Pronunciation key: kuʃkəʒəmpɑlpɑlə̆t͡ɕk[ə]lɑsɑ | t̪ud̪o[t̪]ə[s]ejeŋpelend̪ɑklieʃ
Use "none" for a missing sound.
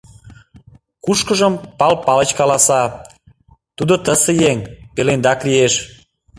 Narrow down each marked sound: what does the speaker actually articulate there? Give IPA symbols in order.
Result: ɑ, t̪, s

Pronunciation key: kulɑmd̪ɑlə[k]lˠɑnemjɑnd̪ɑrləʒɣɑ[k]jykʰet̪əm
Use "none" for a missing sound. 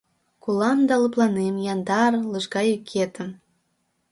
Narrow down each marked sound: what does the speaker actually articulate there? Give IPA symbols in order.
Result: p, none

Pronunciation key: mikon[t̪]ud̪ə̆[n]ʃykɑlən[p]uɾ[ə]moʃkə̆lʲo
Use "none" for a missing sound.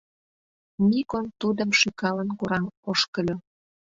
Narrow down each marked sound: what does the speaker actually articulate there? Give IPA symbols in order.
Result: t̪, m, k, ɑ

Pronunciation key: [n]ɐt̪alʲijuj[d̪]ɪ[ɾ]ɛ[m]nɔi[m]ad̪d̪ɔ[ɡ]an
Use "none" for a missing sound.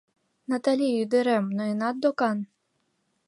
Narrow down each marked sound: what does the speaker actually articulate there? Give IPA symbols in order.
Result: n, d̪, ɾ, m, n, k

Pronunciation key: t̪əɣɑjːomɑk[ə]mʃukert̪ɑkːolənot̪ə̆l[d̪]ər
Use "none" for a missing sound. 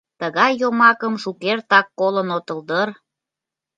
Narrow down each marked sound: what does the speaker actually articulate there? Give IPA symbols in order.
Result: ə, d̪

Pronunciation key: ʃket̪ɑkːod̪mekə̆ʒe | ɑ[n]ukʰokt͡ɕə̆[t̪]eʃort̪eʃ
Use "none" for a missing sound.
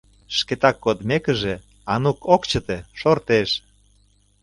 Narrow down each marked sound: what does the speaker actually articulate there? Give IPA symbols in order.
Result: n, t̪

